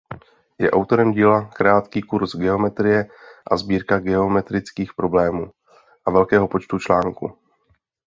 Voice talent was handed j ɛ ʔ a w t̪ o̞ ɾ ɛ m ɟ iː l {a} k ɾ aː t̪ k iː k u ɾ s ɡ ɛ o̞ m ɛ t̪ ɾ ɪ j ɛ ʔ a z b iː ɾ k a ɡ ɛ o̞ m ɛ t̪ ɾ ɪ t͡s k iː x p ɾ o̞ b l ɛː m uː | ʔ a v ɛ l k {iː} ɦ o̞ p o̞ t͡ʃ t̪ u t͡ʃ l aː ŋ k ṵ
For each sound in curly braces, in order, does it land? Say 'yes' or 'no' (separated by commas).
yes, no